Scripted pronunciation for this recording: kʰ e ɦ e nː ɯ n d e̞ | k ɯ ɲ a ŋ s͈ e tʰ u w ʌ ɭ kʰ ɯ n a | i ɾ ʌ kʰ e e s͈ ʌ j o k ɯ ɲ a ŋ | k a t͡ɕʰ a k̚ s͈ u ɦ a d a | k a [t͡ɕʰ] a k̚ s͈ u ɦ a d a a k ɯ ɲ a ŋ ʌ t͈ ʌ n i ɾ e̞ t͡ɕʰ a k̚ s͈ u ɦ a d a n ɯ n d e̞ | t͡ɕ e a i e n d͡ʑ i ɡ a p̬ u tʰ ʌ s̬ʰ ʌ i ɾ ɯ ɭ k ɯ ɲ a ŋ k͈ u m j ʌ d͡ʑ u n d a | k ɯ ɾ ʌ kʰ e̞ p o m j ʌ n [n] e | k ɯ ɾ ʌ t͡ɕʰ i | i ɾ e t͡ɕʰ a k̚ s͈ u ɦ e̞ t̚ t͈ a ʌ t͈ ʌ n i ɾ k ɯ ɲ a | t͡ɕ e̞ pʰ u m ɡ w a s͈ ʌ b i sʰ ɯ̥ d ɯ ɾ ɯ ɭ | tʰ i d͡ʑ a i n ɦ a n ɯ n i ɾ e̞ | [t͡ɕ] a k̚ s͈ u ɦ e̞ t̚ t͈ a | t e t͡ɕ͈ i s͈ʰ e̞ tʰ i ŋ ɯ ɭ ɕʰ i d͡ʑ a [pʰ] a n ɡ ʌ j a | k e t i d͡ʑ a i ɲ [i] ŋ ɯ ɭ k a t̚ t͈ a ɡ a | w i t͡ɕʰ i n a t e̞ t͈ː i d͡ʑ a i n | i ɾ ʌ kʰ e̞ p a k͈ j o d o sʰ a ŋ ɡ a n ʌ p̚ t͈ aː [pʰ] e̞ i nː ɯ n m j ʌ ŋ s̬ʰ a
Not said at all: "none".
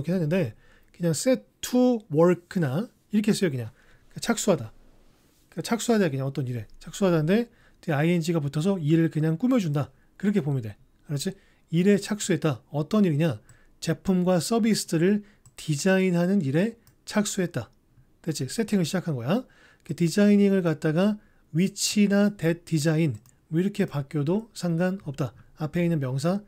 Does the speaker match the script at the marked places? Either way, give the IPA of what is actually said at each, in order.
t͡ɕʰ, d, t͡ɕʰ, kʰ, i, pʰ

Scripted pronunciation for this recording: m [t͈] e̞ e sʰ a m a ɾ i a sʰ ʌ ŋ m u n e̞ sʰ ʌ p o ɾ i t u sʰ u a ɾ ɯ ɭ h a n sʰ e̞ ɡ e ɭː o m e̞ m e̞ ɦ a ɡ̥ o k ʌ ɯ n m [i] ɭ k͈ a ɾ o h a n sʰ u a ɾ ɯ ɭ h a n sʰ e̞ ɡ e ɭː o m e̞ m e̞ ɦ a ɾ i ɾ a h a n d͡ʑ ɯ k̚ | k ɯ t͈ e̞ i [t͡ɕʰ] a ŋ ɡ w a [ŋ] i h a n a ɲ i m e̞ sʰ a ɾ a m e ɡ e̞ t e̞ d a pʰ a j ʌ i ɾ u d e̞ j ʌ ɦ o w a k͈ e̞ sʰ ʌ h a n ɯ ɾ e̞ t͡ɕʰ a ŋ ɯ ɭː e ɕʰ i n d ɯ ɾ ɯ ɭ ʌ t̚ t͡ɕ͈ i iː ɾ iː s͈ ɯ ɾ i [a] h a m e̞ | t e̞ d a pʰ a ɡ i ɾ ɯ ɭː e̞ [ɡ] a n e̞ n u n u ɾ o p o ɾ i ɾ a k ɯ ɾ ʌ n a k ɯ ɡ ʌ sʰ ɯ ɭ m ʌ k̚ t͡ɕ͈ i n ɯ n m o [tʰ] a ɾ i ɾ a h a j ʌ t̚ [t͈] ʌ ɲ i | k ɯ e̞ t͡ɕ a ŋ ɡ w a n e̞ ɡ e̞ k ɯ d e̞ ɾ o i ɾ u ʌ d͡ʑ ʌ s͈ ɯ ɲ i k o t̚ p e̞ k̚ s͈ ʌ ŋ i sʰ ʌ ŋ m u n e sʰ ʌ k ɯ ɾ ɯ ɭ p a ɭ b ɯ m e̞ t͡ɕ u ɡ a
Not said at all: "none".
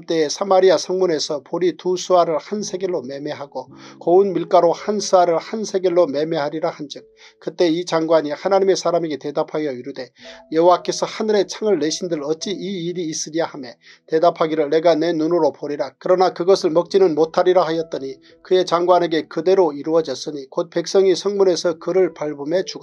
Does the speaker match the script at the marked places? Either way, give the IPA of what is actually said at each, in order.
t͈, i, t͡ɕ, ɲ, a, ɡ, tʰ, t͈

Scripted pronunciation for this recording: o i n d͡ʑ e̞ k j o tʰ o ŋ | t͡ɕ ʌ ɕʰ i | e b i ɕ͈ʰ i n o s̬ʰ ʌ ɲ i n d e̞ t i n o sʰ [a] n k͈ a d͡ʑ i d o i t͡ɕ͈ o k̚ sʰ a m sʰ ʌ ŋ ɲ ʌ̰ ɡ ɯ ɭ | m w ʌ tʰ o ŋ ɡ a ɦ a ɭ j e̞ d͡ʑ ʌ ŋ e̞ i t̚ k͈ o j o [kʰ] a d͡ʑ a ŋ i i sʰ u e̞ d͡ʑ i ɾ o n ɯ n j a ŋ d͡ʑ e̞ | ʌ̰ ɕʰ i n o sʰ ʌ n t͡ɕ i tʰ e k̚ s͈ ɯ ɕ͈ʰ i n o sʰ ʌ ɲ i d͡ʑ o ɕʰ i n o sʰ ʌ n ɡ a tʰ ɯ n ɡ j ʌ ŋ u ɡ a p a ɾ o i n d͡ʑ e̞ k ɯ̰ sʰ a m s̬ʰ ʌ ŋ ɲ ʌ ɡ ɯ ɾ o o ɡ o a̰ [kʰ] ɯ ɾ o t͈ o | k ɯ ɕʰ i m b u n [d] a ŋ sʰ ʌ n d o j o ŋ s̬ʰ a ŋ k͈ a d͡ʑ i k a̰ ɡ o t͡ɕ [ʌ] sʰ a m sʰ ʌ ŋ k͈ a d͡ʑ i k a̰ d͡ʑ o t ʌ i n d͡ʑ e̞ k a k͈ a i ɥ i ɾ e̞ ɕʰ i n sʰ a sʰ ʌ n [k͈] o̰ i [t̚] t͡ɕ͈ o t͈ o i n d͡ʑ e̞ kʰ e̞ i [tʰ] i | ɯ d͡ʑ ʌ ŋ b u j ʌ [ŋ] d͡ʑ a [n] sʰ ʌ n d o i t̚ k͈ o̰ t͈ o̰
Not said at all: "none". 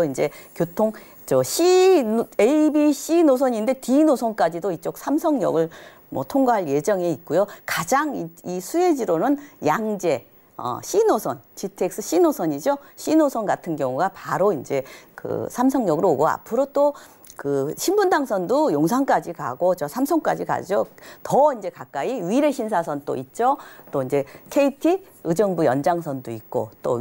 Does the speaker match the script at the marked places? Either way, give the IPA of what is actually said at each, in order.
ʌ, k, pʰ, d, ʌ, t͈, t̚, tʰ, n, ŋ

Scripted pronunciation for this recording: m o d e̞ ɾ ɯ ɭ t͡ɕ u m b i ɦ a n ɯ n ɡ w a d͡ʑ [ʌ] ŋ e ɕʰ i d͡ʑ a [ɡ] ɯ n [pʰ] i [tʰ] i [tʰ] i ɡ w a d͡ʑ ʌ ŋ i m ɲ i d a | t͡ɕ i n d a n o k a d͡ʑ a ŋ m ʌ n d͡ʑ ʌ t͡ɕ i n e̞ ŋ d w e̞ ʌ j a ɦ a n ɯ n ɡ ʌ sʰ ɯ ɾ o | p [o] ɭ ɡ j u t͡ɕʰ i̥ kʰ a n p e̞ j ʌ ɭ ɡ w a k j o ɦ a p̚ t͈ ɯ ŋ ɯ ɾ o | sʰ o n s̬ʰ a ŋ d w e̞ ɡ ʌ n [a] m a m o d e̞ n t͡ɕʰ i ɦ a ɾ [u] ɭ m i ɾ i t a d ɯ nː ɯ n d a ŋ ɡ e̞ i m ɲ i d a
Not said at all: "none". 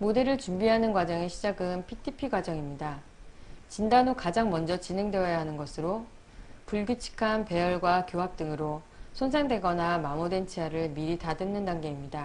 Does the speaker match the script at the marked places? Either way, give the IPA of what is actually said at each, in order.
ʌ, ɡ, pʰ, tʰ, pʰ, u, a, ɯ

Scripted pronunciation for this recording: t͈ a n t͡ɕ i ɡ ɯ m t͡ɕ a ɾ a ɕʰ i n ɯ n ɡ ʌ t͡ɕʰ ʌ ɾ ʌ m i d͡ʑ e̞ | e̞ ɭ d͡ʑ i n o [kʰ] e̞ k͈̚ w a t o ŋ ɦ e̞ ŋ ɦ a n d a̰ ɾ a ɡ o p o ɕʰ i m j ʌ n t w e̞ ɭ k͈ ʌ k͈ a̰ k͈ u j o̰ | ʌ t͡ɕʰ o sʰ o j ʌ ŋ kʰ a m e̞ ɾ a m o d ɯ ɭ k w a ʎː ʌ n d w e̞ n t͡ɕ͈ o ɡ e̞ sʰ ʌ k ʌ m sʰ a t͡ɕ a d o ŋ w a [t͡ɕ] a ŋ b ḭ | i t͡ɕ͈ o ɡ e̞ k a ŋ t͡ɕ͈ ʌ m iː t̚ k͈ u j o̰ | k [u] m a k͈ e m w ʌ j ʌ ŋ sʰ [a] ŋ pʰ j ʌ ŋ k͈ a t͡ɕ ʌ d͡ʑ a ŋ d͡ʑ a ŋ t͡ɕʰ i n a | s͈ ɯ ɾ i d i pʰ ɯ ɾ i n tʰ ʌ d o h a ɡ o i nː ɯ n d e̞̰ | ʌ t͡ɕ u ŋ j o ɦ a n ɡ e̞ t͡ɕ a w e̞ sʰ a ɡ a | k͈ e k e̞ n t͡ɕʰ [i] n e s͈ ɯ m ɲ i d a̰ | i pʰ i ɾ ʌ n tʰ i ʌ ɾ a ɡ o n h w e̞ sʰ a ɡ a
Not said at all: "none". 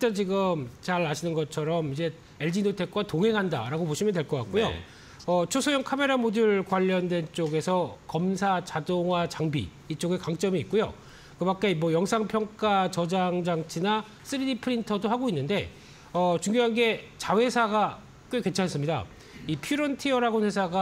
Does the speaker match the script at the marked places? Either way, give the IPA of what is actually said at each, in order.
tʰ, t͡ɕ, ɯ, a, a

